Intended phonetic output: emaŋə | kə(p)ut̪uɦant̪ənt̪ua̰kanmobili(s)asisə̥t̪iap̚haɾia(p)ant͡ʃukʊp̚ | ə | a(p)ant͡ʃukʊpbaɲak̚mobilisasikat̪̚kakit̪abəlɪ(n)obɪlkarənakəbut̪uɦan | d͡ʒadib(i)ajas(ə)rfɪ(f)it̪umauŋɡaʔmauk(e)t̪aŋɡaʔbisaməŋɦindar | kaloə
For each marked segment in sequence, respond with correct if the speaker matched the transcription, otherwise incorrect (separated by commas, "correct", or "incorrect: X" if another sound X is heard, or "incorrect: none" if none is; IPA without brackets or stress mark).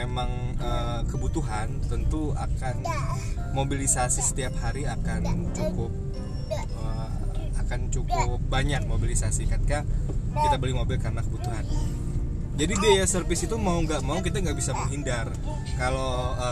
incorrect: b, correct, incorrect: k, incorrect: k, incorrect: m, correct, correct, incorrect: s, incorrect: i